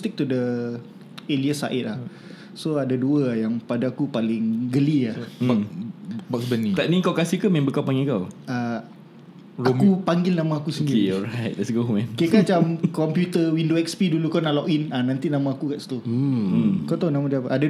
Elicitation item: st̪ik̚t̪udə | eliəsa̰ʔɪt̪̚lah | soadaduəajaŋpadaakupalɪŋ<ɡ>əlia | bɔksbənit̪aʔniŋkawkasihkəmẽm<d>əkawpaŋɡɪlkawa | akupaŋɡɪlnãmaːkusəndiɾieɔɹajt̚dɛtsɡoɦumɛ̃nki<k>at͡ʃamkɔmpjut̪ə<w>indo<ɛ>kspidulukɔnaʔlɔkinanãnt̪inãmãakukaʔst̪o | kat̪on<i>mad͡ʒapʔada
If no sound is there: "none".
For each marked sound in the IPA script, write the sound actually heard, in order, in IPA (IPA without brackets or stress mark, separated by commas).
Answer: ɡ, b, k, w, ɛ, a